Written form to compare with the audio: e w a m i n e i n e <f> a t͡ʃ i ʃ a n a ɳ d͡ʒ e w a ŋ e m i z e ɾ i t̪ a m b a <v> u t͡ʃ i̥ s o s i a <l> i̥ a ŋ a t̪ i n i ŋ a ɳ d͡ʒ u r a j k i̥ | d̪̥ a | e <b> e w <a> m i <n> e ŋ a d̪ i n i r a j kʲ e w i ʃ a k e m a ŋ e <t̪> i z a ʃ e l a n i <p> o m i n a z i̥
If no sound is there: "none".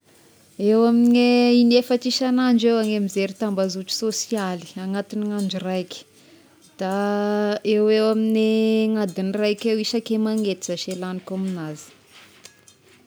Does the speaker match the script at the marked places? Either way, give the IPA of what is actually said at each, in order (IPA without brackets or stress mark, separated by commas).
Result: f, z, l, w, a, n, t̪, k